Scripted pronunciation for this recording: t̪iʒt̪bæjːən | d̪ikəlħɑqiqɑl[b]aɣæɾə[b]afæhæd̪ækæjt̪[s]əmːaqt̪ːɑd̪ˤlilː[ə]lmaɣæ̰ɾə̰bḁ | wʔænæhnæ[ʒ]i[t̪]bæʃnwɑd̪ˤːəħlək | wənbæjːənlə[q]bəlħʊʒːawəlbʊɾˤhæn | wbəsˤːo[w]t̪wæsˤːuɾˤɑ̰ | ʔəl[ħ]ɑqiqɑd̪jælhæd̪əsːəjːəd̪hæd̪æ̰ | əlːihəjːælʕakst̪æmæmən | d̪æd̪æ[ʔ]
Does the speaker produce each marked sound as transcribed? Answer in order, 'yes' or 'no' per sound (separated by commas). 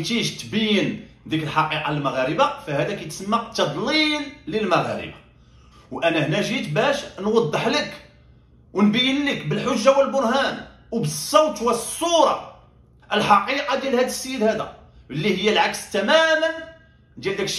no, yes, yes, yes, yes, yes, no, yes, yes, no